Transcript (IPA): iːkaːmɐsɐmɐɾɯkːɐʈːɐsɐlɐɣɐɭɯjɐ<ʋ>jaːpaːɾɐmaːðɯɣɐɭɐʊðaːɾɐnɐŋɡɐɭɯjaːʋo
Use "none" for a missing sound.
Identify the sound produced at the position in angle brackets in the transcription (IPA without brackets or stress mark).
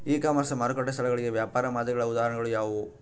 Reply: ʋ